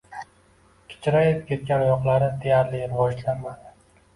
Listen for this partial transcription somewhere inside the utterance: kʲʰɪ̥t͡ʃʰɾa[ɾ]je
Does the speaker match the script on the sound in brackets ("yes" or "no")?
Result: no